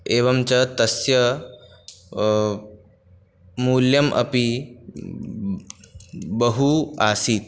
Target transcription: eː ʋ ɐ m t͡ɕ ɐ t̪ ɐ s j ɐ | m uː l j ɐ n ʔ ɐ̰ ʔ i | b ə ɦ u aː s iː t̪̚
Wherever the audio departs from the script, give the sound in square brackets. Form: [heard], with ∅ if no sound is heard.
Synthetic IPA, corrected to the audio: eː ʋ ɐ m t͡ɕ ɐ t̪ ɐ s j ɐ | m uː l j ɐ [m] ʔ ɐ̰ [p] i | b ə ɦ u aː s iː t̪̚